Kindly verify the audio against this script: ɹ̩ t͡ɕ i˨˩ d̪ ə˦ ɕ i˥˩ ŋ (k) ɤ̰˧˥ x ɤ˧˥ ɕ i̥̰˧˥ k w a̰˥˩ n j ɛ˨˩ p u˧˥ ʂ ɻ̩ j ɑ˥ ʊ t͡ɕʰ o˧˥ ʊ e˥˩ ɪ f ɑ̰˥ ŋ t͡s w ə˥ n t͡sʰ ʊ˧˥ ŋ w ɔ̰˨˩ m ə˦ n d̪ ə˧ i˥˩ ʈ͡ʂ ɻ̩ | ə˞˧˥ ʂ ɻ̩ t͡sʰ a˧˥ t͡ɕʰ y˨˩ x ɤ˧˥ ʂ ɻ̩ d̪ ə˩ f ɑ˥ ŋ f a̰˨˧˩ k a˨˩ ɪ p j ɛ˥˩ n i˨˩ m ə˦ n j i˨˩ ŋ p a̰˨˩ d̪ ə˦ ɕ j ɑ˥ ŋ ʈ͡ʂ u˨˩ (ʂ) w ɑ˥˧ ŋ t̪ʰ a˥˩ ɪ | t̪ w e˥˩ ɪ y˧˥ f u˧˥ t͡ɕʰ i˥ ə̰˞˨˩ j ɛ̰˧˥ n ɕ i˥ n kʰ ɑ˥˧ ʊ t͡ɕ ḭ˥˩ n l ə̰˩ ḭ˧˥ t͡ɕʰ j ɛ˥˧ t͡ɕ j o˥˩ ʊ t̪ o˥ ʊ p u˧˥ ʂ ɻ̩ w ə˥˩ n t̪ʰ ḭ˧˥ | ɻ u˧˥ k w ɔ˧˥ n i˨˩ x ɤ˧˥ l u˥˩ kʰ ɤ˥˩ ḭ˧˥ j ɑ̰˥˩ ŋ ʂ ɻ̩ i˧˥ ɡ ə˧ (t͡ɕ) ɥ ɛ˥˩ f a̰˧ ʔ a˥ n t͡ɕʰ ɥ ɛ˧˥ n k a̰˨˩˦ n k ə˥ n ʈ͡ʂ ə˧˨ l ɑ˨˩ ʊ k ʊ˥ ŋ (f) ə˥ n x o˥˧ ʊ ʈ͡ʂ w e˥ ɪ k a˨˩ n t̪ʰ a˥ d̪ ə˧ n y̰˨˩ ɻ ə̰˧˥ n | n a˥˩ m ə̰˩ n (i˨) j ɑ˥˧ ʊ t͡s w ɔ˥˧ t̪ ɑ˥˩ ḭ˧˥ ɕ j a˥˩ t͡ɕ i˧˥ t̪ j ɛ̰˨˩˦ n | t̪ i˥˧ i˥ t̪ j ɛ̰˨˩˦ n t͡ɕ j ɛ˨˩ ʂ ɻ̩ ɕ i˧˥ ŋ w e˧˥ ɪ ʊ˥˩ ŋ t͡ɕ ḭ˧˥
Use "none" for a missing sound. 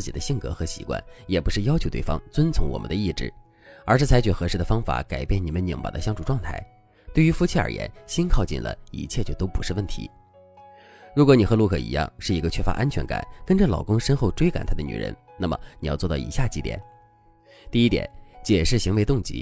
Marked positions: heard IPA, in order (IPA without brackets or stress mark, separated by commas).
k, ʈ͡ʂ, t͡ɕʰ, ʂ, i˨